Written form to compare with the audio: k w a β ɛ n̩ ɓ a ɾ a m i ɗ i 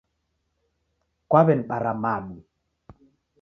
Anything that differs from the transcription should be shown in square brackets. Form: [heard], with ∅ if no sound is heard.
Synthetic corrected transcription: k w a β ɛ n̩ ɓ a ɾ a m [a] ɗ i